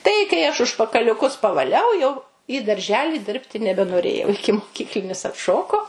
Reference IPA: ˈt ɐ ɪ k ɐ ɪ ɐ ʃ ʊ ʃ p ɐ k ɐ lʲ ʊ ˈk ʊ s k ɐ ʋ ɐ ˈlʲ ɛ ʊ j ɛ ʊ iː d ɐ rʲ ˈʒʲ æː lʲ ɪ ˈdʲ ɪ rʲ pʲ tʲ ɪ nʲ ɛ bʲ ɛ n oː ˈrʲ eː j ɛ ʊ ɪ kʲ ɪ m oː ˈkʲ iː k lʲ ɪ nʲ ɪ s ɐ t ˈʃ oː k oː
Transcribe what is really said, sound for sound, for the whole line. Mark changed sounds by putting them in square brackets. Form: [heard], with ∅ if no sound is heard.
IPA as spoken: ˈt ɐ ɪ k ɐ ɪ ɐ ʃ ʊ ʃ p ɐ k ɐ lʲ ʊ ˈk ʊ s [p] ɐ ʋ ɐ ˈlʲ ɛ ʊ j ɛ ʊ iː d ɐ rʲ ˈʒʲ æː lʲ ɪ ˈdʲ ɪ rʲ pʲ tʲ ɪ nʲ ɛ bʲ ɛ n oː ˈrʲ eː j ɛ ʊ ɪ kʲ ɪ m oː ˈkʲ iː k lʲ ɪ nʲ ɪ s ɐ t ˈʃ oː k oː